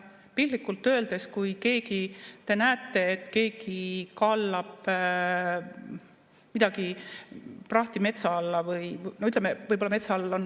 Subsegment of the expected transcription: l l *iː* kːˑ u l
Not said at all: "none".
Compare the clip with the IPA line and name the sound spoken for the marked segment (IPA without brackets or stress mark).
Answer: i